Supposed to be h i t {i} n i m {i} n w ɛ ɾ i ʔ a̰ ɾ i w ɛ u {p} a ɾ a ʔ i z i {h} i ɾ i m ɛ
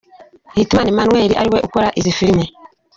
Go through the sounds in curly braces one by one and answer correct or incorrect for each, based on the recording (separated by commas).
incorrect, incorrect, incorrect, incorrect